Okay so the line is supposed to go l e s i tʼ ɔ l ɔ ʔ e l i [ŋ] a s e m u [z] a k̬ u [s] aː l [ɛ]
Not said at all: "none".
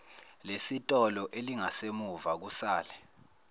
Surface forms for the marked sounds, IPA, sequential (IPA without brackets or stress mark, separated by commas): ŋ, v, s, ɛ